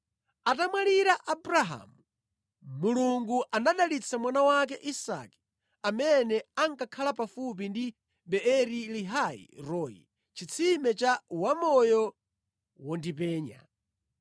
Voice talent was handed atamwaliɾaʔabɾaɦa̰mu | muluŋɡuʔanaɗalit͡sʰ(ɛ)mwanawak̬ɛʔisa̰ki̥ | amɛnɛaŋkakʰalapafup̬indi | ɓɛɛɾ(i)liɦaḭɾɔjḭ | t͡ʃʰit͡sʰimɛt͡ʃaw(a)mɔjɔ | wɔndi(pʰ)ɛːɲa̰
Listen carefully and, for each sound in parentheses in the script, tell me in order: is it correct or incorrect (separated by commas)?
incorrect, correct, correct, incorrect